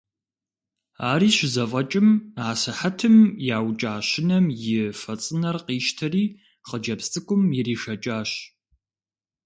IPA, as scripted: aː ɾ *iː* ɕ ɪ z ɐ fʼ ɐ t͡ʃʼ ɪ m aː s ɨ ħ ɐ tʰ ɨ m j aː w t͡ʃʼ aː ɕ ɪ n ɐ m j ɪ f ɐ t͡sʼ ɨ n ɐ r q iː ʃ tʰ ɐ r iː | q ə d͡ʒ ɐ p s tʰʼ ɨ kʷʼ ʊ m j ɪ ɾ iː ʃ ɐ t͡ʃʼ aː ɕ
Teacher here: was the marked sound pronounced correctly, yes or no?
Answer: yes